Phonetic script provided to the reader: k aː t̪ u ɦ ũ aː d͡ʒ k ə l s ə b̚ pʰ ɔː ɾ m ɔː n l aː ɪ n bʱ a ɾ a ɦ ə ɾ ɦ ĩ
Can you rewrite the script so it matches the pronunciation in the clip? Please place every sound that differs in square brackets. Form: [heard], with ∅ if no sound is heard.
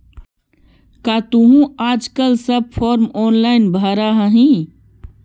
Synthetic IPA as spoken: k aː t̪ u ɦ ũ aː d͡ʒ k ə l s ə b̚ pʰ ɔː ɾ m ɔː n l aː ɪ n bʱ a ɾ a ɦ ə [∅] ɦ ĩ